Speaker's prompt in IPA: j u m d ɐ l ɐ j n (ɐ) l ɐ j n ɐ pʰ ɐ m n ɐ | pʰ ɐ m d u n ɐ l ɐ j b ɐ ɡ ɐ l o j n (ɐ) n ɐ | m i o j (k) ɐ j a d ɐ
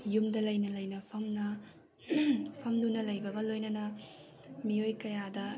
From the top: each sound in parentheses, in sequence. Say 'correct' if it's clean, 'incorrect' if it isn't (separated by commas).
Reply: correct, correct, correct